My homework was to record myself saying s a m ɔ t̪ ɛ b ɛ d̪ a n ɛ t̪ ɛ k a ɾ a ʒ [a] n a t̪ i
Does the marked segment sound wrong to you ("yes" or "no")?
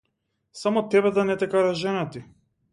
yes